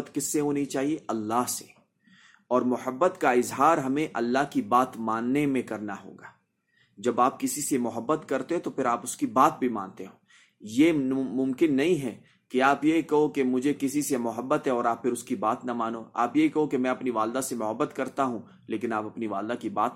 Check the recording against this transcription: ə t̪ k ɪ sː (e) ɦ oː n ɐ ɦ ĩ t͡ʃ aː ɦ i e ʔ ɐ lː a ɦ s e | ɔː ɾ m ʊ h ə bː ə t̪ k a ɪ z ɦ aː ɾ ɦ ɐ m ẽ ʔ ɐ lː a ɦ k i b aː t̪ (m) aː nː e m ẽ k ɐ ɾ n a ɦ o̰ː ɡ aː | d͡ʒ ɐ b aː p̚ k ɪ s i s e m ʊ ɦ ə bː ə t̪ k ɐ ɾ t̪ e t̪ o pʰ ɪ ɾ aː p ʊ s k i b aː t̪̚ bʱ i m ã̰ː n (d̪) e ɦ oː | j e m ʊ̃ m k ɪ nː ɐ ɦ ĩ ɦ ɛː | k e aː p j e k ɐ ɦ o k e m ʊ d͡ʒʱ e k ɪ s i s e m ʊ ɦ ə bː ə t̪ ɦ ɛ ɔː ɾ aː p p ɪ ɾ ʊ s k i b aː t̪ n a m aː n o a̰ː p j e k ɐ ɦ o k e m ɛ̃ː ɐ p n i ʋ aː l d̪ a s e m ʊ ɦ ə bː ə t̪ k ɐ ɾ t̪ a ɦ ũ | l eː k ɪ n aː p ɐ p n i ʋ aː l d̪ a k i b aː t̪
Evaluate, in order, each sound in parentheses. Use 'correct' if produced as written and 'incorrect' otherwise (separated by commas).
correct, correct, incorrect